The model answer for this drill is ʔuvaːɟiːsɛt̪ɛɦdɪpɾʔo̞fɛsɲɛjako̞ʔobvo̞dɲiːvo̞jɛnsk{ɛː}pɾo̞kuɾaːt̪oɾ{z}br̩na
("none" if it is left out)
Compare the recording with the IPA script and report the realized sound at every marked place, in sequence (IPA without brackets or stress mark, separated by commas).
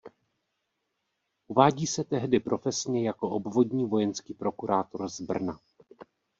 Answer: iː, z